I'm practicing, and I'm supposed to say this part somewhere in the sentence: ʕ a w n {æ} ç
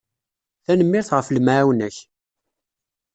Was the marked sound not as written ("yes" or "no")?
no